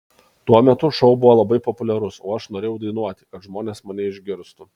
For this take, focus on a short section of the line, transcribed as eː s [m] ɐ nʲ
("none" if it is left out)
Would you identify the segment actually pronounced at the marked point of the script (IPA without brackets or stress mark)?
m